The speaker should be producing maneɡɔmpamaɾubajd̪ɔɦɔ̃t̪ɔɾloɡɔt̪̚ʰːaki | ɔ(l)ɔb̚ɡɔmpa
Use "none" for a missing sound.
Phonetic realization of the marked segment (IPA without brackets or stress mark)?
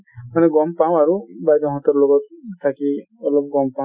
l